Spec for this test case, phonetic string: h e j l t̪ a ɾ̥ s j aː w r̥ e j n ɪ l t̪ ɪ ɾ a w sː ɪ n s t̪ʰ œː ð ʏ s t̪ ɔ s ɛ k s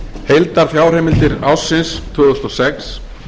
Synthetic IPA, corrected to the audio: h e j l t̪ a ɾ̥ θ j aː w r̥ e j m ɪ l t̪ ɪ ɾ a w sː ɪ n s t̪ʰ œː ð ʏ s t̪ ɔ s ɛ k s